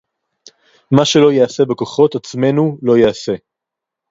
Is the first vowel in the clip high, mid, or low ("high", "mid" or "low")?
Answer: low